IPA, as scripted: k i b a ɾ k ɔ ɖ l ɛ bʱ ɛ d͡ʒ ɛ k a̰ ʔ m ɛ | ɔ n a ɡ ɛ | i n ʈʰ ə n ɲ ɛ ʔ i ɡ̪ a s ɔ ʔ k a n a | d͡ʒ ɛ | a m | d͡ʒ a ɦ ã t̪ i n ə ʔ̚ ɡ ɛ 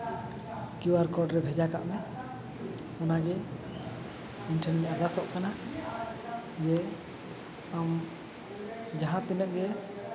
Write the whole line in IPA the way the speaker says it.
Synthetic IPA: k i w a ɾ k ɔ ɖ ɾ ɛ bʱ ɛ d͡ʒ a k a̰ ʔ m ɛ | ɔ n a ɡ ɛ | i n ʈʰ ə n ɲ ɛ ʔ a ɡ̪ a s ɔ ʔ k a n a | d͡ʒ ɛ | a m | d͡ʒ a ɦ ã t̪ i n ə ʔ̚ ɡ ɛ

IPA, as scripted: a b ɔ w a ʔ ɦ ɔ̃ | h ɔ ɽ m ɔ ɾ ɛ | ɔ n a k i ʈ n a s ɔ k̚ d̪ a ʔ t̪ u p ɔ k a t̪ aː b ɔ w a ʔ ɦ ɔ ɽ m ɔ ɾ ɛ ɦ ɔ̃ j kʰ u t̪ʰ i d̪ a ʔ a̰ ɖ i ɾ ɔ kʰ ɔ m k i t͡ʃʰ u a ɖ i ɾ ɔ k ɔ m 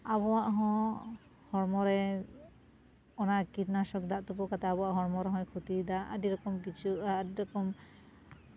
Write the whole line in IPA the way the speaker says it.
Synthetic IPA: a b ɔ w a ʔ ɦ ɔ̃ | h ɔ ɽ m ɔ ɾ ɛ | ɔ n a k i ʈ n a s ɔ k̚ d̪ a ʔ t̪ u p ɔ k a t̪ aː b ɔ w a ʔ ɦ ɔ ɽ m ɔ ɾ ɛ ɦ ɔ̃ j kʰ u t̪ i d̪ a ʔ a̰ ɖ i ɾ ɔ k ɔ m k i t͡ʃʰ u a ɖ i ɾ ɔ k ɔ m

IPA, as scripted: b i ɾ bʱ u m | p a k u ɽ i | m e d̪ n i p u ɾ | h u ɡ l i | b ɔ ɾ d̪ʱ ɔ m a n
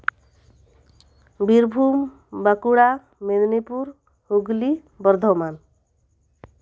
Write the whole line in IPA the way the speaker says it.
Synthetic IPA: b i ɾ bʱ u m | b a k u ɽ a | m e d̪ n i p u ɾ | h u ɡ l i | b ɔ ɾ d̪ʱ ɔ m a n

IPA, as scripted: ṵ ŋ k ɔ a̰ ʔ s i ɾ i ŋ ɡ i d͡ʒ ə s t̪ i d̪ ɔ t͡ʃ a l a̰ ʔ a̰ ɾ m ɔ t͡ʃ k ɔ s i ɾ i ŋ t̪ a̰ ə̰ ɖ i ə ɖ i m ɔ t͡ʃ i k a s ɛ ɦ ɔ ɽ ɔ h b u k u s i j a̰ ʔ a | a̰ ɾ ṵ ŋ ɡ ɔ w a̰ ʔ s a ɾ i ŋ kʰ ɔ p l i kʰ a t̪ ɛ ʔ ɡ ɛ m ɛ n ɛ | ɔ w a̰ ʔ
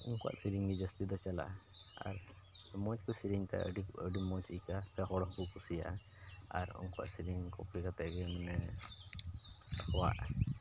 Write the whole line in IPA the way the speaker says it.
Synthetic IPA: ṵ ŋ k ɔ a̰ ʔ s i ɾ i ŋ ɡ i d͡ʒ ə s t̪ i d̪ ɔ t͡ʃ a l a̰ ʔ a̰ ɾ m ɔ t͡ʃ k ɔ s i ɾ i ŋ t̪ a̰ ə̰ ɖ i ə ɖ i m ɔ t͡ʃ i k a s ɛ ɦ ɔ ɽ ɔ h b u k u s i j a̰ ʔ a | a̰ ɾ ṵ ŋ k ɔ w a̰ ʔ s i ɾ i ŋ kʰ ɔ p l i k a t̪ ɛ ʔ ɡ ɛ m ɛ n ɛ | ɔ w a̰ ʔ

